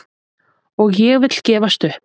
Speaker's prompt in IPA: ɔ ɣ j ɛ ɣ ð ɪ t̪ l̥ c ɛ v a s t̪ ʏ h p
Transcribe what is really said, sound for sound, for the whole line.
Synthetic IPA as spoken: ɔ ɣ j ɛ ɣ v ɪ t̪ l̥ c ɛː v a s t̪ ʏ h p

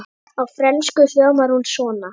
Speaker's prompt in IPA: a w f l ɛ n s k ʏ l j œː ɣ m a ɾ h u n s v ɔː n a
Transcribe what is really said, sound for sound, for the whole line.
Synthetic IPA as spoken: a w f ɾ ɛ n s k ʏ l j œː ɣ m a ɾ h u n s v ɔː n a

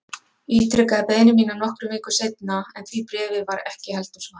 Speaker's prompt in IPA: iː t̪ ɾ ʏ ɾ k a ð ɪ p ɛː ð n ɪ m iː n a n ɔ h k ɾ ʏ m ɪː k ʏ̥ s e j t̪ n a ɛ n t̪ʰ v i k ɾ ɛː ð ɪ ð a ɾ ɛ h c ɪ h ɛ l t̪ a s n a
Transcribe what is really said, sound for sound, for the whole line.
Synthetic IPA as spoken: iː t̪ ɾ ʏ k a ð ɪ p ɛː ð n ɪ m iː n a n ɔ h k ɾ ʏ m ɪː k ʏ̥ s e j t̪ n a ɛ n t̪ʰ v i p ɾ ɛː v ɪ v a ɾ ɛ h c ɪ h ɛ l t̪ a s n a

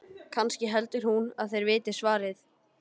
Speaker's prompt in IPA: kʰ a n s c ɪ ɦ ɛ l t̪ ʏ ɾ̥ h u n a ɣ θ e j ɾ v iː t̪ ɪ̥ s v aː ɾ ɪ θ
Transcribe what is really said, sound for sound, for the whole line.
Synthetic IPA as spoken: kʰ a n s c ɪ ɦ ɛ l t̪ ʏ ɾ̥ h u n a ð θ e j ɾ v ɪː t̪ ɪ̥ s v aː ɾ ɪ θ

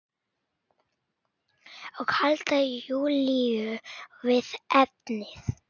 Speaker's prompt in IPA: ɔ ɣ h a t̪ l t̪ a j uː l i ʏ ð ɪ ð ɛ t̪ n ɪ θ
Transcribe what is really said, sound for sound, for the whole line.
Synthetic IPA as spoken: ɔ ɣ h a l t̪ a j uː l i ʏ v ɪ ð ɛ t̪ n ɪ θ

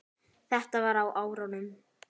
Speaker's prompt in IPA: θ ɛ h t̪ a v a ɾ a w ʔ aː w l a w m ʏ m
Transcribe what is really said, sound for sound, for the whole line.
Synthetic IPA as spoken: θ ɛ h t̪ a v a ɾ a w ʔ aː w ɾ a w n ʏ m

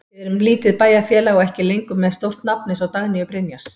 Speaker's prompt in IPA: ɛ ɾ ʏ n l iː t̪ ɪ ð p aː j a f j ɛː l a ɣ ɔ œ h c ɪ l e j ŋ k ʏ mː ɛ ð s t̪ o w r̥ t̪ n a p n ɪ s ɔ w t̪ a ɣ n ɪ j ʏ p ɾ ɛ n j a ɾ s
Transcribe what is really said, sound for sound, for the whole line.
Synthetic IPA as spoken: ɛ ɾ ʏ m l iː t̪ ɪ ð p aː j a f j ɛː l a ɣ ɔ ɛ h c ɪ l e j ŋ k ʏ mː ɛ ð s t̪ o w r̥ t̪ n a p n ɪ s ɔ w t̪ a ɣ n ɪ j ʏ p ɾ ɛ n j a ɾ s

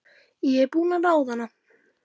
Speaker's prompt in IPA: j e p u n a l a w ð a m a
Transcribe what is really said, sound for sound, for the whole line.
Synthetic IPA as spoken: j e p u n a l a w ð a n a

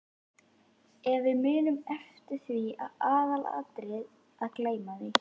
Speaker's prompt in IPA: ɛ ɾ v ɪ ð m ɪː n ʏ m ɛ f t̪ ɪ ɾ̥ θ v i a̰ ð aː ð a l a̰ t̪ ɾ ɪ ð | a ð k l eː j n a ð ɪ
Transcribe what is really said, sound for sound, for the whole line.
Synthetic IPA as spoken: ɛ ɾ v ɪ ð m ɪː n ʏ m ɛ f t̪ ɪ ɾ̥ θ v i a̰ ð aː ð a l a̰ t̪ ɾ ɪ ð | a ð k l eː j m a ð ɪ

